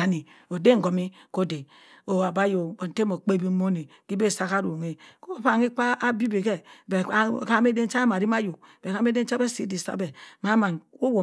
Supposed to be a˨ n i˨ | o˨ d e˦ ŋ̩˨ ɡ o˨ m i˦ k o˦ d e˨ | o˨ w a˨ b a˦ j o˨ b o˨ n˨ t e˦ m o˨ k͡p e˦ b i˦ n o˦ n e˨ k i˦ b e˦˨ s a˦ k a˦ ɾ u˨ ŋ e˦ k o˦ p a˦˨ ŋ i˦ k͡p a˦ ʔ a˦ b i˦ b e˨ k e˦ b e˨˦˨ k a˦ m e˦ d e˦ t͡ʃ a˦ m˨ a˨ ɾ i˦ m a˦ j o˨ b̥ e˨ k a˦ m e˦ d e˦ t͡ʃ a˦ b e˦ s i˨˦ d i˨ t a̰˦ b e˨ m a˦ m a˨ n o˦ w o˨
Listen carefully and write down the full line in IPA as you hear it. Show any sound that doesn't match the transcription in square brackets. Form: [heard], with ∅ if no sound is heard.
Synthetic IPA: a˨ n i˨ | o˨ d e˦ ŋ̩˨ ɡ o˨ m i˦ k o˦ d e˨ | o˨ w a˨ b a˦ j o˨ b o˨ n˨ t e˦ m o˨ k͡p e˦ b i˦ [m] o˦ n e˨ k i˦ b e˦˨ s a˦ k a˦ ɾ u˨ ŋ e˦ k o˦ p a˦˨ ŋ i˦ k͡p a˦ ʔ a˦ b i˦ b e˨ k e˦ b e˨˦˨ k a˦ m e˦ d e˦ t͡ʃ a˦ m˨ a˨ ɾ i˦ m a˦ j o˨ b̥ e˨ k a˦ m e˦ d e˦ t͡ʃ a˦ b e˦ s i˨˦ d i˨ [s] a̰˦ b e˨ m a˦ m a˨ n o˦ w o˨